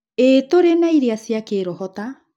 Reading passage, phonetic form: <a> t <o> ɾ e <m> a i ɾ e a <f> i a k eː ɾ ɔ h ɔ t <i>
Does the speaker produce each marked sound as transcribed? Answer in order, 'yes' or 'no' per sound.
no, yes, no, no, no

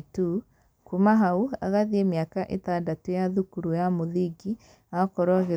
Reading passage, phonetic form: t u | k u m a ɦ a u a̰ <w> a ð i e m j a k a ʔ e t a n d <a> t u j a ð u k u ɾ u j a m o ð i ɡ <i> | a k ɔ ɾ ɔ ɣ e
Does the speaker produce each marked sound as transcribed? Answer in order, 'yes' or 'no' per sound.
no, yes, yes

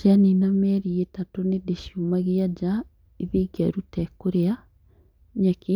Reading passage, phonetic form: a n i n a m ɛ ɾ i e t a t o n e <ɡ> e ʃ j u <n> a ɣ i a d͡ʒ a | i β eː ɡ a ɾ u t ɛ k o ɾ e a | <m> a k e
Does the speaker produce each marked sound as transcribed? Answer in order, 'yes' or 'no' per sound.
no, no, no

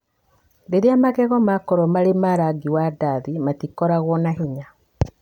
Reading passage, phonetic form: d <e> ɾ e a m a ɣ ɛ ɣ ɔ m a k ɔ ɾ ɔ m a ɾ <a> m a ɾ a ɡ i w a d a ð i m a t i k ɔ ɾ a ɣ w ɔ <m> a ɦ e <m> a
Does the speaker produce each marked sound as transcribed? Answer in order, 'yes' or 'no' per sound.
yes, no, no, no

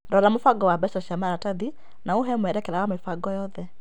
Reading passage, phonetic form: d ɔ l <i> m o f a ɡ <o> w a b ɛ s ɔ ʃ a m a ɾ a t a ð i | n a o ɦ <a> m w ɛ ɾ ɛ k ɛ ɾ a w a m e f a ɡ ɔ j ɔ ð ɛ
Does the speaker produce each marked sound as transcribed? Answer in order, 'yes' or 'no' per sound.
no, no, no

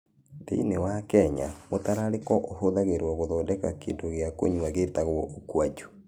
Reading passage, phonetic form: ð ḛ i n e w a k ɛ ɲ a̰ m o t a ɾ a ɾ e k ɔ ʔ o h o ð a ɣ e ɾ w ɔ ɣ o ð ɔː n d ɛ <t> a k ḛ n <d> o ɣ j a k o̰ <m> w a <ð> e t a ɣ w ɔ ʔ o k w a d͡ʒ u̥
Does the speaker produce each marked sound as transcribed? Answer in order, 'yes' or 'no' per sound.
no, yes, no, no

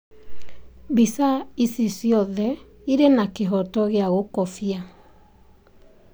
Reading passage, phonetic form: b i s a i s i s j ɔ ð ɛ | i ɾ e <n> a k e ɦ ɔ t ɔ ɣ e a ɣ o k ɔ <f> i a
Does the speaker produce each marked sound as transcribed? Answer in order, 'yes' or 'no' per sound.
yes, yes

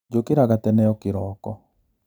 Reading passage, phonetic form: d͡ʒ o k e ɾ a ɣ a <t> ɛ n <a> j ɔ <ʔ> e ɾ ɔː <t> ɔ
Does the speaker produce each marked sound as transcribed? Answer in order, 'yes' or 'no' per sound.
yes, no, no, no

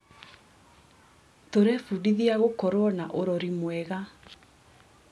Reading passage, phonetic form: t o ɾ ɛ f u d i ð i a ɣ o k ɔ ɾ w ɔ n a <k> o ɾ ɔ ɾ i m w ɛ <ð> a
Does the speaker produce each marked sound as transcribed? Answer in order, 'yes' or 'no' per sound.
no, no

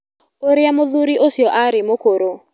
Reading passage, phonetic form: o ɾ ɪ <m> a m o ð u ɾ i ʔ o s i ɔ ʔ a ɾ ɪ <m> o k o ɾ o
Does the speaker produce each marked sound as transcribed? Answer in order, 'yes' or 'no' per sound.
no, yes

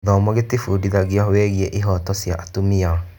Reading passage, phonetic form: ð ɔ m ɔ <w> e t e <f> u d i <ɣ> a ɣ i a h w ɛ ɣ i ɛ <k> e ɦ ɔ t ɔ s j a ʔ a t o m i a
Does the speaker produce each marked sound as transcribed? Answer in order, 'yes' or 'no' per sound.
no, yes, no, no

